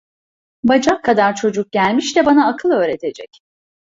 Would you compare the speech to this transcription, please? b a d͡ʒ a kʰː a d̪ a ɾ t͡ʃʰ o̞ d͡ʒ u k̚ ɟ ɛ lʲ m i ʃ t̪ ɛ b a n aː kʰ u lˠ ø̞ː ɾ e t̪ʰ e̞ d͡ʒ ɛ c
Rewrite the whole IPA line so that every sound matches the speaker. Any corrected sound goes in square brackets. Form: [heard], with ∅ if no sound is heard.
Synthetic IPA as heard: b a d͡ʒ a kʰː a d̪ a ɾ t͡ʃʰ o̞ d͡ʒ u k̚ ɟ [æ] lʲ m i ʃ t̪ ɛ b a n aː kʰ [ɯ] lˠ ø̞ː ɾ e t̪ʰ e̞ d͡ʒ ɛ c